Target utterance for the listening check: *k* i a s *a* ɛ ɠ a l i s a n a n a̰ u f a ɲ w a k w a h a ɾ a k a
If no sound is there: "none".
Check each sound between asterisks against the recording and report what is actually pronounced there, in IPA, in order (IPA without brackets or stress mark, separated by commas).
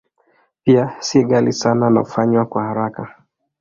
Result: p, i